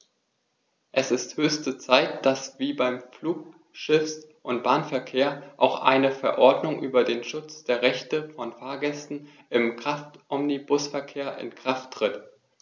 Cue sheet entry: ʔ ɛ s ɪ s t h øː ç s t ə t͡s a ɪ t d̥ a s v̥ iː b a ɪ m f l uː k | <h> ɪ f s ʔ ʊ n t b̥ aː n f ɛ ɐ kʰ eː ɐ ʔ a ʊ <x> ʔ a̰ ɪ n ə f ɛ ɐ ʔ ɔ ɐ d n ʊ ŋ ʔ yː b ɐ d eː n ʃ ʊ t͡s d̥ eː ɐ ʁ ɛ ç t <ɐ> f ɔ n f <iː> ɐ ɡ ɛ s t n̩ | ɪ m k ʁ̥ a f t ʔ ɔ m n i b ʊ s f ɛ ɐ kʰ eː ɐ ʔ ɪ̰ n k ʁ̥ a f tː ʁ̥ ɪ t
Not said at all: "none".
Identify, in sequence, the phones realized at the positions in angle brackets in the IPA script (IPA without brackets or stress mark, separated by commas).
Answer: ʃ, x, ə, aː